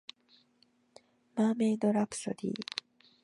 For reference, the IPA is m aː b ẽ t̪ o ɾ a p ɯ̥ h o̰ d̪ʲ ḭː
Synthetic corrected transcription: m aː m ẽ d̪ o ɾ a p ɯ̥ s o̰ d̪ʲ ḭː

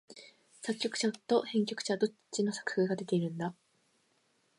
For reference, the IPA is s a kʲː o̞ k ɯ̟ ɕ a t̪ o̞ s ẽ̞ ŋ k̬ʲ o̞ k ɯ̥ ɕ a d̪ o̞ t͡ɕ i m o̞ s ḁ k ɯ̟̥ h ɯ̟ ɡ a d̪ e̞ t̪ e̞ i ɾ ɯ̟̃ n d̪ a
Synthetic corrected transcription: s a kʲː o̞ k ɯ̟ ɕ a t̪ o̞ h ẽ̞ ŋ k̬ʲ o̞ k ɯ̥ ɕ a d̪ o̞ t͡ɕ i n o̞ s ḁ k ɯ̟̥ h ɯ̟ ɡ a d̪ e̞ t̪ e̞ i ɾ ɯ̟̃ n d̪ a

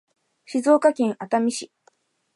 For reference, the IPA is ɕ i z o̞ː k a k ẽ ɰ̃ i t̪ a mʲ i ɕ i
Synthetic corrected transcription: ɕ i z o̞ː k a k ẽ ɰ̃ a t̪ a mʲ i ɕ i

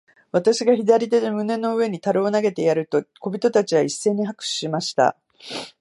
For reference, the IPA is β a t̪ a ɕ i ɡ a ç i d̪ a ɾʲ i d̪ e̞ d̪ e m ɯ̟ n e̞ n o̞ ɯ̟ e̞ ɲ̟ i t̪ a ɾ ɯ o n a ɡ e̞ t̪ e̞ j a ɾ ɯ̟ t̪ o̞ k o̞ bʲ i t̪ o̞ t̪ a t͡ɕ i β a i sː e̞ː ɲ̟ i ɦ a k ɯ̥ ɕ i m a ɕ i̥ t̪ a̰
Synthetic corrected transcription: β a t̪ a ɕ i ɡ a ç i d̪ a ɾʲ i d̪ e̞ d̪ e m ɯ̟ n e̞ n o̞ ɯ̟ e̞ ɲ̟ i t̪ a ɾ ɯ o n a ɡ e̞ t̪ e̞ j a ɾ ɯ̟ t̪ o̞ k o̞ bʲ i t̪ o̞ t̪ a t͡ɕ i β a i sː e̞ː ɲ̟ i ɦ a k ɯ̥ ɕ i m a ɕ i̥ t̪ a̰

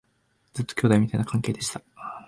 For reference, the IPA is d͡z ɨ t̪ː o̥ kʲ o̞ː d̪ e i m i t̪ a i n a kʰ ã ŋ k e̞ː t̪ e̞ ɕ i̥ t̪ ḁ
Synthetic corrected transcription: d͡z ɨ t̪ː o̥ kʲ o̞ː d̪ a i m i t̪ a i n a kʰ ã ŋ k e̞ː d̪ e̞ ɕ i̥ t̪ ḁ

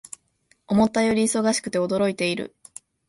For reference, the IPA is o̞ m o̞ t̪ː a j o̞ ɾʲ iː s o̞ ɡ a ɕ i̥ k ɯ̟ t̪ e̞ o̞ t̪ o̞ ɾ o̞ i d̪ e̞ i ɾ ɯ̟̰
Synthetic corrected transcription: o̞ m o̞ t̪ː a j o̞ ɾʲ iː s o̞ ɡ a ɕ i̥ k ɯ̟ t̪ e̞ o̞ d̪ o̞ ɾ o̞ i t̪ e̞ i ɾ ɯ̟̰

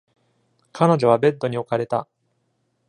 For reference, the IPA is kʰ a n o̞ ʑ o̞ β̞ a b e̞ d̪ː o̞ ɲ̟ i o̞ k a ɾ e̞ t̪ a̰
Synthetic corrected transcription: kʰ a n o̞ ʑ o̞ β̞ a b e̞ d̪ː o̞ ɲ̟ i o̞ k a ɾ e̞ t̪ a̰

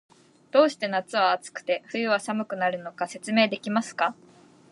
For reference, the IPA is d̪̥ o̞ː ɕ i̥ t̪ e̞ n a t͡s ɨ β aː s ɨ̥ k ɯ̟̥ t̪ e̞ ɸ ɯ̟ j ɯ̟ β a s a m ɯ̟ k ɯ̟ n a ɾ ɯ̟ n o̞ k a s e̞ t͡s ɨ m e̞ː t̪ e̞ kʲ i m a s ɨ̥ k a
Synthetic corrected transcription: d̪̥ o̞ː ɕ i̥ t̪ e̞ n a t͡s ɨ β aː t͡s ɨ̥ k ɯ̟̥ t̪ e̞ ɸ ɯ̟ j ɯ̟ β a s a m ɯ̟ k ɯ̟ n a ɾ ɯ̟ n o̞ k a s e̞ t͡s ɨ m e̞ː d̪ e̞ kʲ i m a s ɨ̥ k a

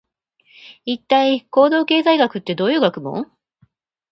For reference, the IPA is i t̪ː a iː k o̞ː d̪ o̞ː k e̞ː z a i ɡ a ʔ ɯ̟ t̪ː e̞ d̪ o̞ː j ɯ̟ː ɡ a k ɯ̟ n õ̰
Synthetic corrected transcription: i t̪ː a i k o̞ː d̪ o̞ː k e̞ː z a i ɡ a k ɯ̟ t̪ː e̞ d̪ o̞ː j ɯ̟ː ɡ a k ɯ̟ m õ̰

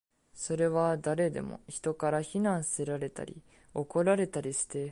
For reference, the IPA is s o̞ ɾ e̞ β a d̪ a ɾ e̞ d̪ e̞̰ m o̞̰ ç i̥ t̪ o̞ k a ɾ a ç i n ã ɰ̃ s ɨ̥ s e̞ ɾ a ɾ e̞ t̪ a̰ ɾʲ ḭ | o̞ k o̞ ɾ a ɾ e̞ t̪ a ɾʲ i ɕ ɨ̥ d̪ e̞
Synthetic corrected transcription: s o̞ ɾ e̞ β a d̪ a ɾ e̞ d̪ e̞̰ m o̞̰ ç i̥ t̪ o̞ k a ɾ a ç i n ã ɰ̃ s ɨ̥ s e̞ ɾ a ɾ e̞ t̪ a̰ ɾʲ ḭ | o̞ k o̞ ɾ a ɾ e̞ t̪ a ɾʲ i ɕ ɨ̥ t̪ e̞

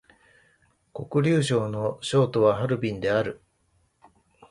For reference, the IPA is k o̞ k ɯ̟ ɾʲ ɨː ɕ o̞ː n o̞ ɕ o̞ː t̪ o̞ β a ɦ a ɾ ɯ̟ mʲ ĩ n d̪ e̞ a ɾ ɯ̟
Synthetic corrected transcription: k o̞ k ɯ̟ ɾʲ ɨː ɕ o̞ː n o̞ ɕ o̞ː t̪ o̞ β a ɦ a ɾ ɯ̟ bʲ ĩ n d̪ e̞ a ɾ ɯ̟

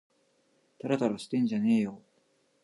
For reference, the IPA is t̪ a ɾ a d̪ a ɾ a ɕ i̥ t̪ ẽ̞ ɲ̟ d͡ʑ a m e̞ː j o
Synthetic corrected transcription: t̪ a ɾ a t̪ a ɾ a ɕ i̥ t̪ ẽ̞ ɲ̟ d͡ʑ a n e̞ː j o

